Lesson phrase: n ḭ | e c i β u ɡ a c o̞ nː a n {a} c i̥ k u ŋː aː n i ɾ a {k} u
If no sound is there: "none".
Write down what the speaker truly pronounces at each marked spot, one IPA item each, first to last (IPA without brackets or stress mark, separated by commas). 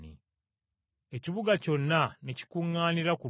e, k